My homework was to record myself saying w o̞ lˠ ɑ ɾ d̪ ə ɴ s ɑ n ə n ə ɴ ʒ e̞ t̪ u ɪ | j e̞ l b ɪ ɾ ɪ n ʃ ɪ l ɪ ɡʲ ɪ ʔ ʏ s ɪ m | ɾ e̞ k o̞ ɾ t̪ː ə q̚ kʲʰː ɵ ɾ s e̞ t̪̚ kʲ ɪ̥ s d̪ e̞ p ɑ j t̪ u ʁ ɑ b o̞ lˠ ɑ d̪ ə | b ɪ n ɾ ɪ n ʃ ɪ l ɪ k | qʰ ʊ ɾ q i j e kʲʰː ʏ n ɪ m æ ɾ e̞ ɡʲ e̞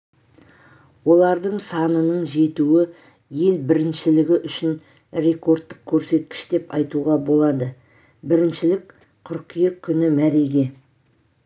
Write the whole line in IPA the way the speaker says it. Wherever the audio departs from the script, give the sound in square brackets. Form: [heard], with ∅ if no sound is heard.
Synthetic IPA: w o̞ lˠ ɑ ɾ d̪ ə ɴ s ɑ n ə n ə ɴ ʒ e̞ t̪ u ɪ | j e̞ l b ɪ ɾ ɪ n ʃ ɪ l ɪ ɡʲ ɪ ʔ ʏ [ʃ] ɪ [n] | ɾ e̞ k o̞ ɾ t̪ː ə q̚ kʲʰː ɵ ɾ s e̞ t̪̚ kʲ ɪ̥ [ʃ] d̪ e̞ p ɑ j t̪ u ʁ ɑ b o̞ lˠ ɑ d̪ ə | b ɪ [∅] ɾ ɪ n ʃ ɪ l ɪ k | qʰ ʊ ɾ q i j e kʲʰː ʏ n ɪ m æ ɾ e̞ ɡʲ e̞